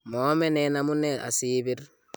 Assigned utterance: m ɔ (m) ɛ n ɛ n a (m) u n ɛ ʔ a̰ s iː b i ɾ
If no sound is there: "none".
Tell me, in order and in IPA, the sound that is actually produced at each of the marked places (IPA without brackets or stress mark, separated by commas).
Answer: m, m